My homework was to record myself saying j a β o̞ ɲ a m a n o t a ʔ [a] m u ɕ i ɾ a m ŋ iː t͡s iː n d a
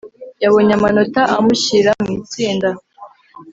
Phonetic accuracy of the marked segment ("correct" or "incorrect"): correct